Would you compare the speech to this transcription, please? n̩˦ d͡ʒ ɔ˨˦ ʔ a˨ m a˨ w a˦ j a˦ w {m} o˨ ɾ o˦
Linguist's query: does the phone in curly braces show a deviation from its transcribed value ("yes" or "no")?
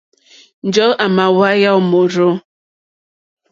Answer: no